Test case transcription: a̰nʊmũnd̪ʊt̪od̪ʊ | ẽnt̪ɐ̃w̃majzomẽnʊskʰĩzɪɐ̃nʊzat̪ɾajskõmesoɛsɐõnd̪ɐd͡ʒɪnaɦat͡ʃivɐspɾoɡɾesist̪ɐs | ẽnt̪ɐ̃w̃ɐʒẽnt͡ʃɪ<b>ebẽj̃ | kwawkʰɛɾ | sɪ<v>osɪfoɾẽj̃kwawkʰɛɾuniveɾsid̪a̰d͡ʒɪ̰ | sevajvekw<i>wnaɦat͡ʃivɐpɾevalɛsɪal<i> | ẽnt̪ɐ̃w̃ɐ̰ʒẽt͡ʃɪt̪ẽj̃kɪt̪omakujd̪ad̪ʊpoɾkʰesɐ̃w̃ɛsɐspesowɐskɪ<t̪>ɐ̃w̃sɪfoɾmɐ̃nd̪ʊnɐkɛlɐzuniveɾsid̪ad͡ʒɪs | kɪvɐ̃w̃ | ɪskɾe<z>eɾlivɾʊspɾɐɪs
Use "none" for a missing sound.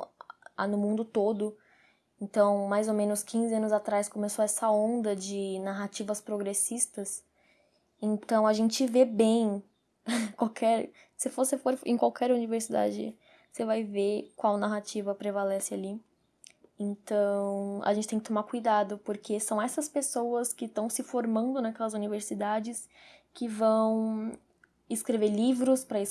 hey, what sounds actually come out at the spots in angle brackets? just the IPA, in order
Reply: v, f, a, i, t̪, v

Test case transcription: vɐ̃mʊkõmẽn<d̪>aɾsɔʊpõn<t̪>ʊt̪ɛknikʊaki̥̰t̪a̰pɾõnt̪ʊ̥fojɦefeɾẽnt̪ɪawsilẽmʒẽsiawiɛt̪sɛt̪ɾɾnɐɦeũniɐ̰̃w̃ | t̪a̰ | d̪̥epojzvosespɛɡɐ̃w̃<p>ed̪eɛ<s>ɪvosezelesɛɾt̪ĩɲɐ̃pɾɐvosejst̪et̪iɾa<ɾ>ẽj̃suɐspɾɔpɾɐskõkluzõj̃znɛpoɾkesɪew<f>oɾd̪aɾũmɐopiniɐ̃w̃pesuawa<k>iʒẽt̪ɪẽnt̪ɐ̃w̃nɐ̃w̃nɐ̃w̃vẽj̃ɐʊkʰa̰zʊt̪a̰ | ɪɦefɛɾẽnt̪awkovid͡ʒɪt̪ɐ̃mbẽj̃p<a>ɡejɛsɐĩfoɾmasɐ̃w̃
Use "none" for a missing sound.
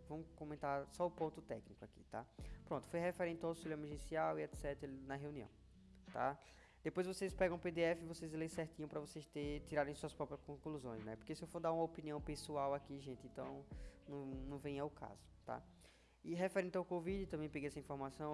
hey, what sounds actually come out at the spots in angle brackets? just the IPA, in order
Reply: t̪, t̪, p, f, ɾ, f, k, e

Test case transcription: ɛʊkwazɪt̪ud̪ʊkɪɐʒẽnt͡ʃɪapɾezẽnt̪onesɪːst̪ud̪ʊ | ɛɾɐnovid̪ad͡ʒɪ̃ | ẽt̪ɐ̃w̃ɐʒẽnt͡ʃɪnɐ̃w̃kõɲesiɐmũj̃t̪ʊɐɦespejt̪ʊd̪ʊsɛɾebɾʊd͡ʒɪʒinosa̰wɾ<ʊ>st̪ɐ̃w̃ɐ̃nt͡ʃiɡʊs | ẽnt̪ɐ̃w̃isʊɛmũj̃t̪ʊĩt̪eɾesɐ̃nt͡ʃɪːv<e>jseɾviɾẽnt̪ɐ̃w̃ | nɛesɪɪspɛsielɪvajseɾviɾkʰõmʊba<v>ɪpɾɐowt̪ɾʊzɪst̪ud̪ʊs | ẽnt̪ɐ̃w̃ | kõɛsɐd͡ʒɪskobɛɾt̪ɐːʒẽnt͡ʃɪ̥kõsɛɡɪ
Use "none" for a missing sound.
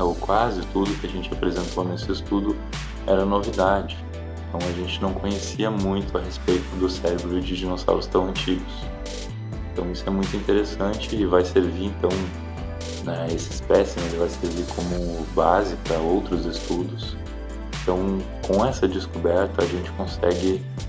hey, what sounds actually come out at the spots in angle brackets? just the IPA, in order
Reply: ʊ, a, z

